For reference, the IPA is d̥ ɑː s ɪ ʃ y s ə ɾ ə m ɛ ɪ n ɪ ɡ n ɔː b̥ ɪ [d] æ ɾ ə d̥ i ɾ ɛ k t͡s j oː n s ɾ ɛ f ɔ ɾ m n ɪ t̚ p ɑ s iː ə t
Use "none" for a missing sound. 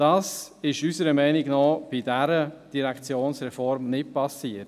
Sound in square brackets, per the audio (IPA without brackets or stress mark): d